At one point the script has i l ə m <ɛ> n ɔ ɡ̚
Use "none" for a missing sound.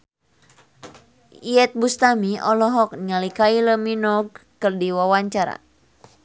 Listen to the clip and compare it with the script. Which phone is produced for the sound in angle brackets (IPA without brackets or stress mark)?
i